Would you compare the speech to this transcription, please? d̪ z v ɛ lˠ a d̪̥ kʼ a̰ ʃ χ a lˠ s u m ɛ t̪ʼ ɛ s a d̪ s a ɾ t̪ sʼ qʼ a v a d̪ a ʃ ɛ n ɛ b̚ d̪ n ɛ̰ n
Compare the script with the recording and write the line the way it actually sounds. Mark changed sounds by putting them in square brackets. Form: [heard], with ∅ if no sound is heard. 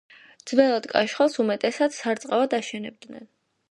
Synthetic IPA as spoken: d̪ z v ɛ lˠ a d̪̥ kʼ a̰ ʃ χ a lˠ s u m ɛ t̪ʼ ɛ s a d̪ s a ɾ t̪ sʼ qʼ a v a d̪ a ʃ ɛ n ɛ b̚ d̪ n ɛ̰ n